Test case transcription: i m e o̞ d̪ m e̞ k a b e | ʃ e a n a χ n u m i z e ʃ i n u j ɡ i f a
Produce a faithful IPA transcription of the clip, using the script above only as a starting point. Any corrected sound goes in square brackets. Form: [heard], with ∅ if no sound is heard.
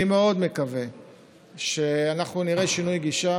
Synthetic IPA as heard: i m e o̞ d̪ m e̞ k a [v] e | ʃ e a n a χ n u [n] i [ʁ] e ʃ i n u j ɡ i [ʃ] a